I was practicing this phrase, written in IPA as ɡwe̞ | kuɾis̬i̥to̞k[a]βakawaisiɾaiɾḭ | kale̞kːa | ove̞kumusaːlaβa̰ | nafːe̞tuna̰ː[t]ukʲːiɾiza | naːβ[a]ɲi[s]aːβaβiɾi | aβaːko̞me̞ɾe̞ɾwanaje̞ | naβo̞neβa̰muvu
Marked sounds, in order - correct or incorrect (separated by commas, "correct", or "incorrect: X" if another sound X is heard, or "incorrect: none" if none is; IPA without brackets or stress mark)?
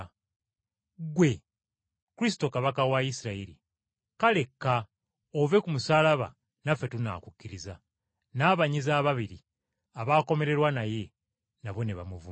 correct, incorrect: k, correct, incorrect: z